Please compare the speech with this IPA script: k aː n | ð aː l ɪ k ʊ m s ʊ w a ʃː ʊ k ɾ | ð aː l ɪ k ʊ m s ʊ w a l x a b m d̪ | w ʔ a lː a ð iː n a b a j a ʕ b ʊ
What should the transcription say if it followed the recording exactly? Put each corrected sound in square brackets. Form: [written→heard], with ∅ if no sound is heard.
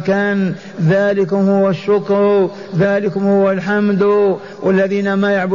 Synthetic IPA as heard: k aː n | ð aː l ɪ k ʊ m [s→h] ʊ w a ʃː ʊ k ɾ | ð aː l ɪ k ʊ m [s→h] ʊ w a l [x→ħ] a [b→∅] m d̪ | w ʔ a lː a ð iː n a [b→m] a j a ʕ b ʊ